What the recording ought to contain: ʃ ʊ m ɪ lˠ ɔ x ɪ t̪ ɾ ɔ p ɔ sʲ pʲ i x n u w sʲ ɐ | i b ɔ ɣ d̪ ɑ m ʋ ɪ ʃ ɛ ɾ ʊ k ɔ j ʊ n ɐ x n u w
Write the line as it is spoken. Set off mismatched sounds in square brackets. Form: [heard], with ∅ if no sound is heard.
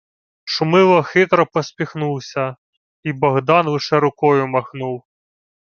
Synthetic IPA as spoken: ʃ ʊ m ɪ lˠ ɔ x ɪ t̪ ɾ ɔ p ɔ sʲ pʲ i x n u w sʲ ɐ | i b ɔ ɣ d̪ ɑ [n] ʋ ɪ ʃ ɛ ɾ ʊ k ɔ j ʊ [m] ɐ x n u w